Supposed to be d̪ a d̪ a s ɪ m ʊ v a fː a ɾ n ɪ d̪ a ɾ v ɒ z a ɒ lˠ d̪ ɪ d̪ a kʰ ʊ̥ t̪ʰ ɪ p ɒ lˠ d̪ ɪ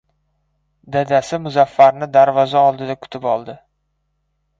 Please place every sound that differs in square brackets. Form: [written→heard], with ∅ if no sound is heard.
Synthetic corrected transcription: d̪ a d̪ a s ɪ m ʊ [v→z] a fː a ɾ n ɪ d̪ a ɾ v ɒ z a ɒ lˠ d̪ ɪ d̪ a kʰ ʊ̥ t̪ʰ ɪ p ɒ lˠ d̪ ɪ